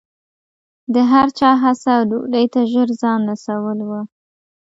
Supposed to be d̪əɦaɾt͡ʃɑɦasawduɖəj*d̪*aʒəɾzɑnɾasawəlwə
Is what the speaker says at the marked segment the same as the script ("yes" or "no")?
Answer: no